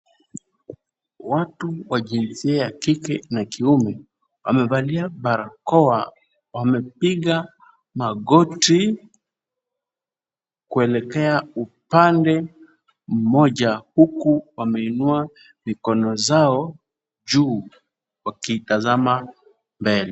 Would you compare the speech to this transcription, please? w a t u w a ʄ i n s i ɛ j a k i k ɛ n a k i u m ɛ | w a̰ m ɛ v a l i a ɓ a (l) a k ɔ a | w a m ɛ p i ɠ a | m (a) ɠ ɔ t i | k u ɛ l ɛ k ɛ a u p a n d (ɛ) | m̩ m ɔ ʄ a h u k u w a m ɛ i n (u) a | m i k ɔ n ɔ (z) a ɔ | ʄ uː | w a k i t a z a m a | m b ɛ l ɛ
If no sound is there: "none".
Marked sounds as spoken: ɾ, a, ɛ, u, z

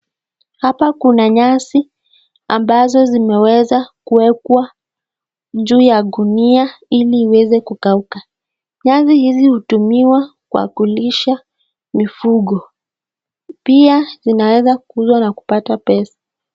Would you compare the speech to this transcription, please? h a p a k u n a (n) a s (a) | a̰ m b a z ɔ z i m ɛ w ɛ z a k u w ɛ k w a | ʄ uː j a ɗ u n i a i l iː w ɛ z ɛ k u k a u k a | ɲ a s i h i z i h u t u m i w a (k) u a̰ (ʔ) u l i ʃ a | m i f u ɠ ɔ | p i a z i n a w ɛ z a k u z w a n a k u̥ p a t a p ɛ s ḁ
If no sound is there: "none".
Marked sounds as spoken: ɲ, i, k, k

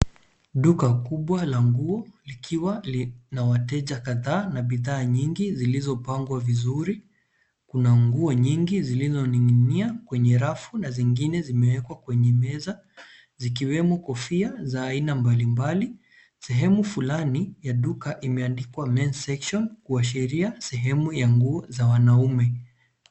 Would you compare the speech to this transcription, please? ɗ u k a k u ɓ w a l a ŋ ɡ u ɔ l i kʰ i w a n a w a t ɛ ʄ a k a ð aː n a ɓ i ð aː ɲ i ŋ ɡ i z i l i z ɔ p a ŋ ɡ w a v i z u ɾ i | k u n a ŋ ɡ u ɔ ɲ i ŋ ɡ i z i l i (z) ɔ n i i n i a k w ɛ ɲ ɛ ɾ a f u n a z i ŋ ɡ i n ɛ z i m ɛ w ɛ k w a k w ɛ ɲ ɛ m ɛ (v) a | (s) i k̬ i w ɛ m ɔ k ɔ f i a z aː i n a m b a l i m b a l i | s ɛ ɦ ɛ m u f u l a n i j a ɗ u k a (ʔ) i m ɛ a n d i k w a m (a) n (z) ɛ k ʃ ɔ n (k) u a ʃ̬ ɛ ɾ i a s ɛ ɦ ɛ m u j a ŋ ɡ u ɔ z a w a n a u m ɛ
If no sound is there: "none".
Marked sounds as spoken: z, z, z, ʔ, ɛ, s, k

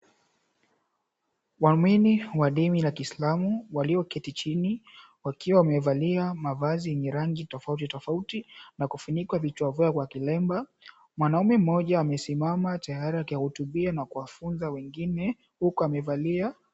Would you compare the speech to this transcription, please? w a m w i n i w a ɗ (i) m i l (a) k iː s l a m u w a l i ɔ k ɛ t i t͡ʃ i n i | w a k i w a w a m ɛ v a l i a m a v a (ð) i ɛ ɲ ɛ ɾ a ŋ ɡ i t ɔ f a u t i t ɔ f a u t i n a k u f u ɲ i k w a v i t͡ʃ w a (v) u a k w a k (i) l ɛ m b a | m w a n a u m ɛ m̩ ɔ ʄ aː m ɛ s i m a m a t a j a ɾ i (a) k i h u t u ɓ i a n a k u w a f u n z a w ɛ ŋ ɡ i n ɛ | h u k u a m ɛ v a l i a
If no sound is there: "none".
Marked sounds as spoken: i, a, z, v, i, a

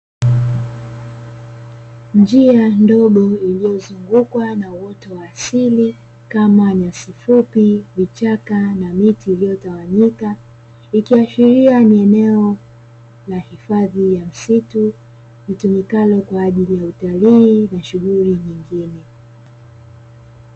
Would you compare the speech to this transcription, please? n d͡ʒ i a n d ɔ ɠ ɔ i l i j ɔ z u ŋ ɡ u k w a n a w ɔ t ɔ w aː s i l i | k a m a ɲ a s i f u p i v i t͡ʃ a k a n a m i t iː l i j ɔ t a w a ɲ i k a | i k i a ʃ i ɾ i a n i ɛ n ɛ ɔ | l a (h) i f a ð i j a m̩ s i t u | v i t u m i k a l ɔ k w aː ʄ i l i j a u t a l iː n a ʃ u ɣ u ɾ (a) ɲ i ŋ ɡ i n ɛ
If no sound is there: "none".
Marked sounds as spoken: h, i

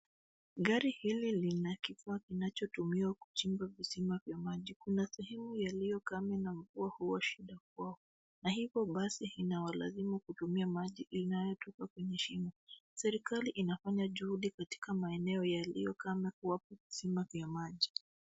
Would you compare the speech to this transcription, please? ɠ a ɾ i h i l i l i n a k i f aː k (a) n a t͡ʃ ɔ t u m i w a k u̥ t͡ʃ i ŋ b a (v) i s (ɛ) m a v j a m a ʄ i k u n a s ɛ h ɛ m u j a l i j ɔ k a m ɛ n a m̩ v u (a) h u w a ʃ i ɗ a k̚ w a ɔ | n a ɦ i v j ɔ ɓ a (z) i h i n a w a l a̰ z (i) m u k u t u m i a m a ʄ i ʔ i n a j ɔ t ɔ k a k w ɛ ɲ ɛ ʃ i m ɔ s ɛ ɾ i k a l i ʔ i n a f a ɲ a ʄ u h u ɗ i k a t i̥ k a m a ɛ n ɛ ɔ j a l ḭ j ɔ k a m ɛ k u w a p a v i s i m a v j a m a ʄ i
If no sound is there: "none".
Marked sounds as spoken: i, v, i, a, s, i

